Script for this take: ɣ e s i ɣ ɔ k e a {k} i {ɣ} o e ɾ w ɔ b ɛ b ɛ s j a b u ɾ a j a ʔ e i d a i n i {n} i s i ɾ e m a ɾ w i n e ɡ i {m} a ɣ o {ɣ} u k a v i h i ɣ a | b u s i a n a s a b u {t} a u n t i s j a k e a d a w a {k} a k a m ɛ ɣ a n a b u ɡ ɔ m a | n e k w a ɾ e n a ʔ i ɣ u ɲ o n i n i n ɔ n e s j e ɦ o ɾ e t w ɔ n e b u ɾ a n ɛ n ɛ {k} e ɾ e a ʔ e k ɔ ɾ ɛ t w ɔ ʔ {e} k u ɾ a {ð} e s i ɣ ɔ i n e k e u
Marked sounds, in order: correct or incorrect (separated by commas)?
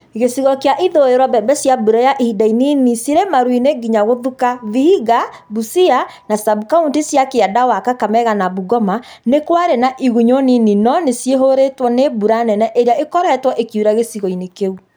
incorrect, incorrect, correct, incorrect, incorrect, incorrect, correct, incorrect, correct, incorrect